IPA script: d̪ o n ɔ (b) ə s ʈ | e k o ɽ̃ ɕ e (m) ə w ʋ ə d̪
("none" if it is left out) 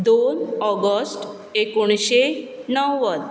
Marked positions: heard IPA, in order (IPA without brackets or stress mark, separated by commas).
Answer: ɡ, n